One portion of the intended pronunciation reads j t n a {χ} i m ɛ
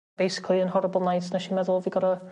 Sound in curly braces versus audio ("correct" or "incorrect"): incorrect